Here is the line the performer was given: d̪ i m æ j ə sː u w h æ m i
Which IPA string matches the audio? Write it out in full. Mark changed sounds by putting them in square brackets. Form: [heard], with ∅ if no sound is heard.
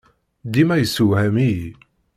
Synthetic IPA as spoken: d̪ i m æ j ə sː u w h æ m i